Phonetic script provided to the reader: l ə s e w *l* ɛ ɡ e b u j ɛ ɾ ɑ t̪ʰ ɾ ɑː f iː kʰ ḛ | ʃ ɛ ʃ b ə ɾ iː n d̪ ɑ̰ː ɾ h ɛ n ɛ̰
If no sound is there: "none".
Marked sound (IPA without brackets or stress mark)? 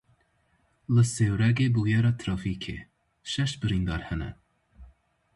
ɾ